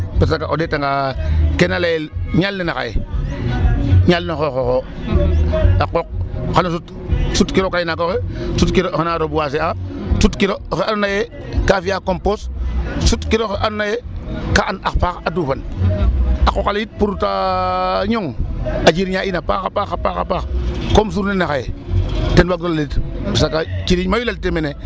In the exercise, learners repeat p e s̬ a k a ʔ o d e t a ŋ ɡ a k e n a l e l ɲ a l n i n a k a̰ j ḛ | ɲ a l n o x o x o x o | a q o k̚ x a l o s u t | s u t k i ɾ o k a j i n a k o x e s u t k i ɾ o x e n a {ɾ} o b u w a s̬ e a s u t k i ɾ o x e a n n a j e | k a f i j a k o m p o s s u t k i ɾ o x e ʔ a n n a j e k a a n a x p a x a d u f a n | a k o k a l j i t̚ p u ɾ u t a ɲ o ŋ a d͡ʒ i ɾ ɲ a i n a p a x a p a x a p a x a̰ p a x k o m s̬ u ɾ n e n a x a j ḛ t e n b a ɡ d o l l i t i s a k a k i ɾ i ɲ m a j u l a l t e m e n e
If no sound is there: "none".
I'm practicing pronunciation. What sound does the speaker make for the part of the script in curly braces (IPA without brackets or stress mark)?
ɾ